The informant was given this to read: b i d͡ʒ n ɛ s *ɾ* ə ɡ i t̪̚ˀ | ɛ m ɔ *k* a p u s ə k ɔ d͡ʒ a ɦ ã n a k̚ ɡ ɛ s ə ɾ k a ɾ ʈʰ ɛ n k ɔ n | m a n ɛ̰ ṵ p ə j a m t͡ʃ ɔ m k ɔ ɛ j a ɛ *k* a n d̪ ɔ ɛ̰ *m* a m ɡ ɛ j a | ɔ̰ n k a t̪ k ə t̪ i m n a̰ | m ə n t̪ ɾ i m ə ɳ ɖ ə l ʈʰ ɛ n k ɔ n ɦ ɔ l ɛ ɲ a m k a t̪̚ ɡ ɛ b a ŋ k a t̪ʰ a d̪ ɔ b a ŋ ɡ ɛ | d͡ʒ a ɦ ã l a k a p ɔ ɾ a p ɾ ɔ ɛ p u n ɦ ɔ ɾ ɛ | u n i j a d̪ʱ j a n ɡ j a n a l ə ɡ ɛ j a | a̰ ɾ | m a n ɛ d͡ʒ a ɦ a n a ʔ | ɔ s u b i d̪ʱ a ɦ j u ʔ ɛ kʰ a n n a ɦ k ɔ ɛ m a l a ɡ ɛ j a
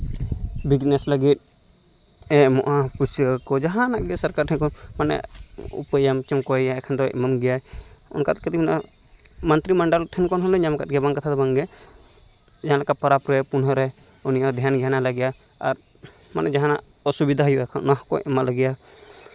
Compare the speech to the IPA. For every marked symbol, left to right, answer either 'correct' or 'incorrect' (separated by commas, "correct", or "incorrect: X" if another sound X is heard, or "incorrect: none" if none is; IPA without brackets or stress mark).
incorrect: l, incorrect: ʔ, incorrect: kʰ, correct